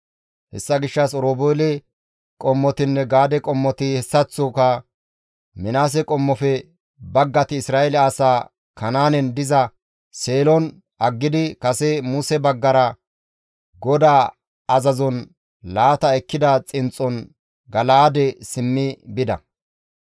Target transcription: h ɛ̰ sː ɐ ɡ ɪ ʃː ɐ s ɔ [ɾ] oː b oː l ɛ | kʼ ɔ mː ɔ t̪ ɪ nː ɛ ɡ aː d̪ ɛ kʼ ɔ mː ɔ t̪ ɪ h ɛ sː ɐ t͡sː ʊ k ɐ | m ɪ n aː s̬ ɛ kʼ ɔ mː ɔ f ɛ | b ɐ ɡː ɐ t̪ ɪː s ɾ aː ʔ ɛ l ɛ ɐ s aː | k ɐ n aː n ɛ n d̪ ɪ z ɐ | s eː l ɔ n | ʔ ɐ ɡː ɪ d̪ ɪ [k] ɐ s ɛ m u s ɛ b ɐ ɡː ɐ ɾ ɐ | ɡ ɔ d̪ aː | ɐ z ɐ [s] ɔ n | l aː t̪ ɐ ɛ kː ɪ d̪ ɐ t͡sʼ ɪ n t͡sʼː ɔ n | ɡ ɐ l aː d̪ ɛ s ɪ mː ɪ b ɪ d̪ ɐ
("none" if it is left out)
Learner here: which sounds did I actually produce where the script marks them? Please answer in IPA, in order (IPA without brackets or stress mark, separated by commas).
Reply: ɾ, k, z